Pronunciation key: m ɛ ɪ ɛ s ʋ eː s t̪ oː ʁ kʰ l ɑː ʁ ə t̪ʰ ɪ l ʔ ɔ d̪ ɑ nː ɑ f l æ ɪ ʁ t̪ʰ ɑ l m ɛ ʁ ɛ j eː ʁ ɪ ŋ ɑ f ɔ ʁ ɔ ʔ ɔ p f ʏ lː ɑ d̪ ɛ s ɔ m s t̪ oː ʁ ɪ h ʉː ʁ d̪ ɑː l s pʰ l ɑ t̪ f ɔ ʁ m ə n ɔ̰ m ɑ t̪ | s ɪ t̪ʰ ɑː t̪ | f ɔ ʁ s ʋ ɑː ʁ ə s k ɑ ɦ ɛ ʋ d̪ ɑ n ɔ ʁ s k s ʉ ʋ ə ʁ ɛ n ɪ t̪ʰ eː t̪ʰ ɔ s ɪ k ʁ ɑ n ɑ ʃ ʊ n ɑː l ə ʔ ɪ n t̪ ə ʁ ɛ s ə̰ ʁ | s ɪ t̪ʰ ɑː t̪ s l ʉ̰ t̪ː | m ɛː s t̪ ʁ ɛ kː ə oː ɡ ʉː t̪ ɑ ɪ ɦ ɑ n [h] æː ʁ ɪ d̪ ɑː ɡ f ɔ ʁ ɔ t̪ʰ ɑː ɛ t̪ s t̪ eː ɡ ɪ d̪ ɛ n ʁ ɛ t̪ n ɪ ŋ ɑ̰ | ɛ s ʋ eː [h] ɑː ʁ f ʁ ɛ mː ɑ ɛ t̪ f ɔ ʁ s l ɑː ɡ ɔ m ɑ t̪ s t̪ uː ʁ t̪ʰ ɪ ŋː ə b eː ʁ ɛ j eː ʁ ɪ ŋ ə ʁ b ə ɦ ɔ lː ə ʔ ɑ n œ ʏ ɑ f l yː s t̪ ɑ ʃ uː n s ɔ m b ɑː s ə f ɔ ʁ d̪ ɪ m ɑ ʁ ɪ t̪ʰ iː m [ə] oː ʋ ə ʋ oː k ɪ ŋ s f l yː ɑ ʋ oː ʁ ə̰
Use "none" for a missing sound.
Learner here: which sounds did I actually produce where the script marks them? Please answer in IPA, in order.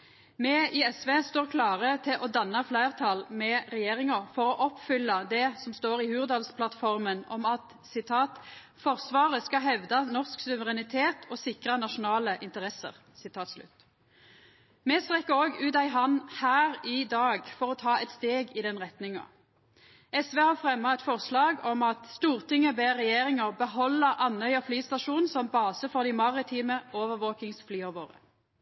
h, h, ə

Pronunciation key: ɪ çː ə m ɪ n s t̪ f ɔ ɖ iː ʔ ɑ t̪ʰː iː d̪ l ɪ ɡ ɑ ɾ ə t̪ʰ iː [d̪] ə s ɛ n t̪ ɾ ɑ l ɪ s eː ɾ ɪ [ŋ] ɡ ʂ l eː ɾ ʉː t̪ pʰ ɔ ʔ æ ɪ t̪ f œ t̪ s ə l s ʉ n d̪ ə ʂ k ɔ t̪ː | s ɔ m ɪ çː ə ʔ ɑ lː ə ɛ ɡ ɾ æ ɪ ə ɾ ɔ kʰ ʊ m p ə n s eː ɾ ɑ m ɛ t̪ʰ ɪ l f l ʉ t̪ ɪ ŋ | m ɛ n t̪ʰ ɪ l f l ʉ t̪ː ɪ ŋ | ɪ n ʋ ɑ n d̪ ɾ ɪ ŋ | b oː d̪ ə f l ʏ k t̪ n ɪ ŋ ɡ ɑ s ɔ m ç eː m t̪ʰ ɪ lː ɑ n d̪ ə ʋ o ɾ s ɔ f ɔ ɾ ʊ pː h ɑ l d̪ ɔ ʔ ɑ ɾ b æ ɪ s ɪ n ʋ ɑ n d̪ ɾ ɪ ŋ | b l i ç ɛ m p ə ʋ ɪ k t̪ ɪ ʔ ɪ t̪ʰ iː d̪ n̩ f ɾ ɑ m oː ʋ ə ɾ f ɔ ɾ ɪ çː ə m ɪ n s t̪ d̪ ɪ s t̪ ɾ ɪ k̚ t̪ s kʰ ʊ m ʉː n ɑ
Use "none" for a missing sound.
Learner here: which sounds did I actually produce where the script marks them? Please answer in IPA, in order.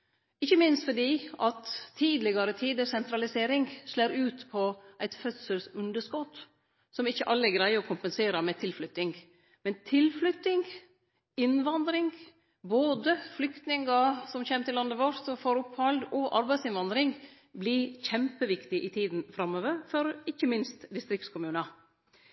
d̪, ŋ

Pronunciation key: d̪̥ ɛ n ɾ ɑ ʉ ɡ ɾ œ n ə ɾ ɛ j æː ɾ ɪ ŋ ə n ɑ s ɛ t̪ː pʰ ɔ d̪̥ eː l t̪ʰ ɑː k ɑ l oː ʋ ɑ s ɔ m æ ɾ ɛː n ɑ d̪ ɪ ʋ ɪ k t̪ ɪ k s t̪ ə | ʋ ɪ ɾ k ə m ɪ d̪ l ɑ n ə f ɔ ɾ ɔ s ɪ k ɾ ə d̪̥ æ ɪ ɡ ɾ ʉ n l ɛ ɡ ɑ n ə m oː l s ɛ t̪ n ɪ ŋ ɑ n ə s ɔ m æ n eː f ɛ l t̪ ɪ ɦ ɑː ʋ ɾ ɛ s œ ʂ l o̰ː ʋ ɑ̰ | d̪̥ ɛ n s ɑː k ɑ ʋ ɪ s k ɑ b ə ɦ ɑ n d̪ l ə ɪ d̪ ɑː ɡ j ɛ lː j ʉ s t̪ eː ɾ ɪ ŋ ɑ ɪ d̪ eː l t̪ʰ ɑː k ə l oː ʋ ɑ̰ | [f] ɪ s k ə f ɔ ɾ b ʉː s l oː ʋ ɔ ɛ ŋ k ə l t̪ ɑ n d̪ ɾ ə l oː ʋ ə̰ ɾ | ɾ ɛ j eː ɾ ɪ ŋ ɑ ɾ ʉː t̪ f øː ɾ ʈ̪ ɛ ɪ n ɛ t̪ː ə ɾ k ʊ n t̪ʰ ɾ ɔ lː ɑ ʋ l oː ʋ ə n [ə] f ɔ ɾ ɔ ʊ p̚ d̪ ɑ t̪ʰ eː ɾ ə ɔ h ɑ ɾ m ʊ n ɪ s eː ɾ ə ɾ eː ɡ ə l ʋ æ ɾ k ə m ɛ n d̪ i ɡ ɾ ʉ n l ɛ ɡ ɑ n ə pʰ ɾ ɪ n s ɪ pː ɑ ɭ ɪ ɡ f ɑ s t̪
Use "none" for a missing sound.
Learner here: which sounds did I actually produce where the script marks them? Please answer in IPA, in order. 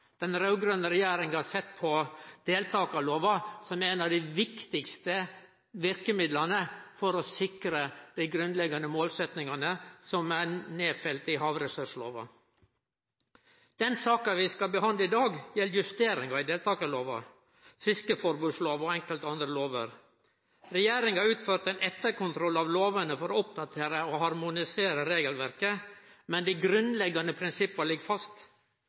f, ə

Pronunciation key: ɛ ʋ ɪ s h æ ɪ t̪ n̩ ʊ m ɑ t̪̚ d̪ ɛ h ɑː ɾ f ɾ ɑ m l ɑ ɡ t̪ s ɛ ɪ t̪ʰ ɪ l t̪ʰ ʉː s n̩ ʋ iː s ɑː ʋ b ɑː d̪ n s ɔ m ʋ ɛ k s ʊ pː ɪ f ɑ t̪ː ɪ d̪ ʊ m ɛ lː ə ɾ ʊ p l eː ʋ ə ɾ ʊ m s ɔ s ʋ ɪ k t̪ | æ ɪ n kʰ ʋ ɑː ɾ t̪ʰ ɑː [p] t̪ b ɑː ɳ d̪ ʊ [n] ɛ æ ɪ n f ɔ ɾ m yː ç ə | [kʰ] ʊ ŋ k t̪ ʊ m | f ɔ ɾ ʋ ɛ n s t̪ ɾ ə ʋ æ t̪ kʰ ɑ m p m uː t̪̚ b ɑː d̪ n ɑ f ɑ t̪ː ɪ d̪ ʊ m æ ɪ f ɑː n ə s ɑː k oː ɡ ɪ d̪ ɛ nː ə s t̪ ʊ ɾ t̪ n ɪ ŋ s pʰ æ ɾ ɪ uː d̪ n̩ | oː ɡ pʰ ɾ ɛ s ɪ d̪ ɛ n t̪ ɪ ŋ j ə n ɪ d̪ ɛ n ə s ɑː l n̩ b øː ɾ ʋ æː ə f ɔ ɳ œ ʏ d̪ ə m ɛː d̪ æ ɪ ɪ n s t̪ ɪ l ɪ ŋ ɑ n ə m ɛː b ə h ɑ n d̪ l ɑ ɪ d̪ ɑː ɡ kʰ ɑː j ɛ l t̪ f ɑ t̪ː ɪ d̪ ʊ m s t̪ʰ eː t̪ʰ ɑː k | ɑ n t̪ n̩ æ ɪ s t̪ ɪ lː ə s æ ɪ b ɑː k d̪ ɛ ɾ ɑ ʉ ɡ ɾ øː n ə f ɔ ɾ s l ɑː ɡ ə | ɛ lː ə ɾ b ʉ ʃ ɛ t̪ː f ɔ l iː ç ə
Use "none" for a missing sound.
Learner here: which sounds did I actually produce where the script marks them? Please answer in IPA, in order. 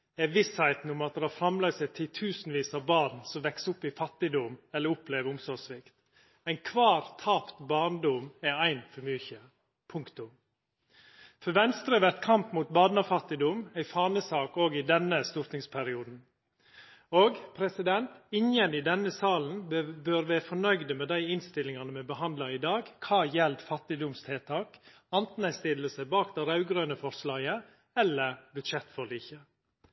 p, m, pʰ

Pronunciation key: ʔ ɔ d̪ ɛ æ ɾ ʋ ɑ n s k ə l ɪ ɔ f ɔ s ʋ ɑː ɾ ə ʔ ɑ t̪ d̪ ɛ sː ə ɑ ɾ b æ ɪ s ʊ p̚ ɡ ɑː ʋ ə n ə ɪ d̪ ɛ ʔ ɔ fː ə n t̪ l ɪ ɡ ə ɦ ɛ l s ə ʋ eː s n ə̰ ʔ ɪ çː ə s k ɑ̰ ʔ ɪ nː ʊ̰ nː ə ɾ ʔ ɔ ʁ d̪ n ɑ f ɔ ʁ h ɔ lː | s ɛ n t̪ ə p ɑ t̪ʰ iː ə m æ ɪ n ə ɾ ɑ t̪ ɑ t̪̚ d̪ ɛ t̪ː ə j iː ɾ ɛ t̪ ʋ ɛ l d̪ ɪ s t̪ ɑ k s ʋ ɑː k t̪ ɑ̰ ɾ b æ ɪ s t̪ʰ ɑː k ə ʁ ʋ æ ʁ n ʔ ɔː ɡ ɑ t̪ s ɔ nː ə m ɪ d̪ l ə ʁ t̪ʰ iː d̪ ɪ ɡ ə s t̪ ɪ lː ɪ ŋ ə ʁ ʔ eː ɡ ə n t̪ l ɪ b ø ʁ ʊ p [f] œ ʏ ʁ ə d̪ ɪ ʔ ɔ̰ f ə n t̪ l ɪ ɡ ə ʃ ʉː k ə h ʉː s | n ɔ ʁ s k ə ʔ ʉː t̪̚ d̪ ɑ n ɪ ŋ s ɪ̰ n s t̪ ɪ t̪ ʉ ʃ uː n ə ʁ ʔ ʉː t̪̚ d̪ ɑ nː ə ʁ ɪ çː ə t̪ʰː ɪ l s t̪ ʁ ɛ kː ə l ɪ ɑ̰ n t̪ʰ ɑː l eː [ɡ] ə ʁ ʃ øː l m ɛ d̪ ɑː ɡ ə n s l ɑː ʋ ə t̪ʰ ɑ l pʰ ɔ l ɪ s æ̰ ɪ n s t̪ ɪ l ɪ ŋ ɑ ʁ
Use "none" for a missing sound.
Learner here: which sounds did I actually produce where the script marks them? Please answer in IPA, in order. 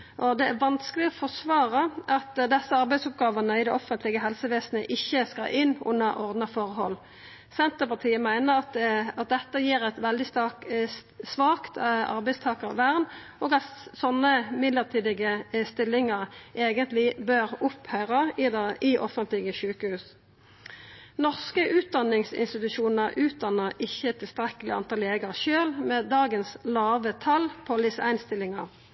h, ɡ

